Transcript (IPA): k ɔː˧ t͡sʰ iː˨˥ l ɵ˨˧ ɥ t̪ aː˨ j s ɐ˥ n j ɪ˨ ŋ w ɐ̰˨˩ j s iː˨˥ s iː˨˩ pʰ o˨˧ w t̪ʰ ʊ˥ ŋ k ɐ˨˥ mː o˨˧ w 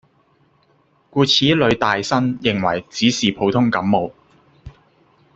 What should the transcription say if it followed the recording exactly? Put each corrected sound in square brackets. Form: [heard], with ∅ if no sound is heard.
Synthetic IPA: k [uː˧] t͡sʰ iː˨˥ l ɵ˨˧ ɥ t̪ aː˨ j s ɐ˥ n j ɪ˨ ŋ w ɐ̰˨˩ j [t͡s] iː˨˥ s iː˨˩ pʰ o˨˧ w t̪ʰ ʊ˥ ŋ k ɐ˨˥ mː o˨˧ w